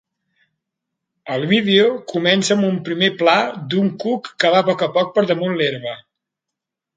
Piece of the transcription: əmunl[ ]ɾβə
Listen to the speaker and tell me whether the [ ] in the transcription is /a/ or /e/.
e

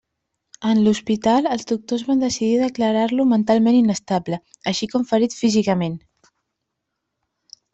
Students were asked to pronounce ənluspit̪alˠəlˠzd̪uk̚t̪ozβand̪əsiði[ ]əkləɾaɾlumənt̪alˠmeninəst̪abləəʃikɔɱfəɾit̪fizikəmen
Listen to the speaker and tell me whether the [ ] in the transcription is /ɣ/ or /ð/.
ð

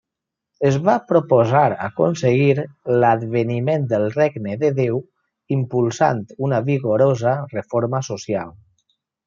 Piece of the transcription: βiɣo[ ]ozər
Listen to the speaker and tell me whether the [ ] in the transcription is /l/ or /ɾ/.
ɾ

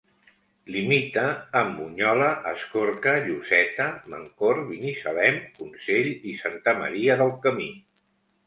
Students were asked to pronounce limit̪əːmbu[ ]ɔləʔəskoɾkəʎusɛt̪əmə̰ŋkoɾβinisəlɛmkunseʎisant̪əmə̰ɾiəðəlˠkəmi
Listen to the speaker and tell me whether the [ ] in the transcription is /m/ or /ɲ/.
ɲ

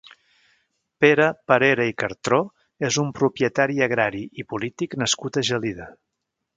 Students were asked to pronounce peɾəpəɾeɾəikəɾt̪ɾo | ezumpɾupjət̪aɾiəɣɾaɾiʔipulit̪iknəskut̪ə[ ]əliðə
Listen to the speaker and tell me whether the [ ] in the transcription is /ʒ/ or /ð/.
ʒ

